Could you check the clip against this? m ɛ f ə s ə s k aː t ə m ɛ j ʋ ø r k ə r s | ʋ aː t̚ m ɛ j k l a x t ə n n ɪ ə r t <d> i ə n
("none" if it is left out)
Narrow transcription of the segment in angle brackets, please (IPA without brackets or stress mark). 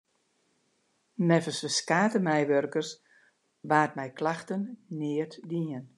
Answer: d